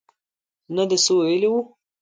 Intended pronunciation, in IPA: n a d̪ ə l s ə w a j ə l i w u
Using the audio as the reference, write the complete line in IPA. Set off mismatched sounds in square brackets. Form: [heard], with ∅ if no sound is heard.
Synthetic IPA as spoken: n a d̪ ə [∅] s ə w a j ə l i w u